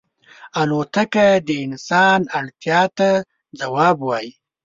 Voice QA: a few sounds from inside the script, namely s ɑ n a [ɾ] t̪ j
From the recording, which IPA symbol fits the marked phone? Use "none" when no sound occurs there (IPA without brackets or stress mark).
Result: ɽ